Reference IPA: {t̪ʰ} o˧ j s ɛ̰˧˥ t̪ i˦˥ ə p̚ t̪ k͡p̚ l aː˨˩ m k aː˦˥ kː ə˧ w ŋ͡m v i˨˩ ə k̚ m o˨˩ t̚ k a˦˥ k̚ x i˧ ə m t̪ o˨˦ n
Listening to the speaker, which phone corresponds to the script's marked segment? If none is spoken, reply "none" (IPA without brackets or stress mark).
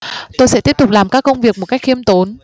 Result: t̪